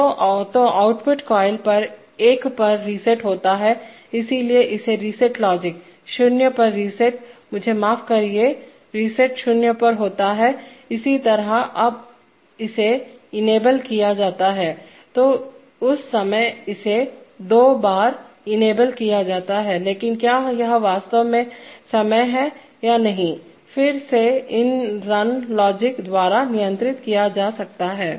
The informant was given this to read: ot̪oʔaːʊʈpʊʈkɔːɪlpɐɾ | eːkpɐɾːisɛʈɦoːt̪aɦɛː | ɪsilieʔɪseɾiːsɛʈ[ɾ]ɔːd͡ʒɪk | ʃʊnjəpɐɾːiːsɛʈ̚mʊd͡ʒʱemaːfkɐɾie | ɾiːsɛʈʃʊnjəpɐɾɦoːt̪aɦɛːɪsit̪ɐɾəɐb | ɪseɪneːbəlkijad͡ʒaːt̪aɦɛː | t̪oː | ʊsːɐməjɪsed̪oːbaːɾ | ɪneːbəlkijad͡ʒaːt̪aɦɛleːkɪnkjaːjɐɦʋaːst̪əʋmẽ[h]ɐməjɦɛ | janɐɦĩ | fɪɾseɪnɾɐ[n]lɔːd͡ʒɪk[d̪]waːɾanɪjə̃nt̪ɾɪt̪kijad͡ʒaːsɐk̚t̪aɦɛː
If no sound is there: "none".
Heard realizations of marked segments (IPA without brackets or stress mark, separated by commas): l, s, n, d̪